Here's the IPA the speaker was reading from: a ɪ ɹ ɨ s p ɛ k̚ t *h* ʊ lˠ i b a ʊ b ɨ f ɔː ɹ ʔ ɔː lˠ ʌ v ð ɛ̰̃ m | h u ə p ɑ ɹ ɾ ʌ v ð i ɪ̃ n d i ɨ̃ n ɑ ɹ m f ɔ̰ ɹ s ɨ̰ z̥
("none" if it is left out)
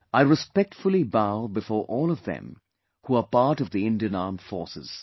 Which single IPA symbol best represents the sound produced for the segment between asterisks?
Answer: f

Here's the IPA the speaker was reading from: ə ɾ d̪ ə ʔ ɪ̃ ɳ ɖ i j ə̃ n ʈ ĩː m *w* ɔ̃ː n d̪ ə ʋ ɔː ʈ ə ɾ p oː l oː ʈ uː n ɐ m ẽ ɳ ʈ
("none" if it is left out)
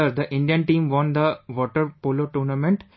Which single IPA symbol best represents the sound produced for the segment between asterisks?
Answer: ʋ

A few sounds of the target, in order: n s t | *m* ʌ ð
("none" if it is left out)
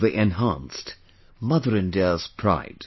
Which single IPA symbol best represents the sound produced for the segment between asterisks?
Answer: m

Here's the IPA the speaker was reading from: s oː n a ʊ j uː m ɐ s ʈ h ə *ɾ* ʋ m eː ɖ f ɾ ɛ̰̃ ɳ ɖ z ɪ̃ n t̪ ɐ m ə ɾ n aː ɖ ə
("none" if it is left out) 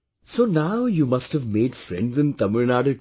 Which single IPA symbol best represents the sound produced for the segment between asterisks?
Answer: none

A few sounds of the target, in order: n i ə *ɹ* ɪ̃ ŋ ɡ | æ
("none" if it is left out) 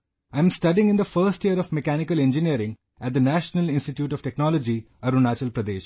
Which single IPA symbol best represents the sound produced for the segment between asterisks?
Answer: ɾ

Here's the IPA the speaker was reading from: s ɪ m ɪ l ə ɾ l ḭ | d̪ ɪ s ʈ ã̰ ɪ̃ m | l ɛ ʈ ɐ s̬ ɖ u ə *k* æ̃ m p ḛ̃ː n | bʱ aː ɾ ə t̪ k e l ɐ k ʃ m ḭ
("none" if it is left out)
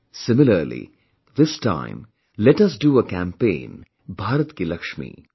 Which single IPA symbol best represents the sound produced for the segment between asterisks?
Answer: k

